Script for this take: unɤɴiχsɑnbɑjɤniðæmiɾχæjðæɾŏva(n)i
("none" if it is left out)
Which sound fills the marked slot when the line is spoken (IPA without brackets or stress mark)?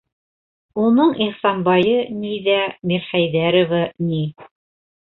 n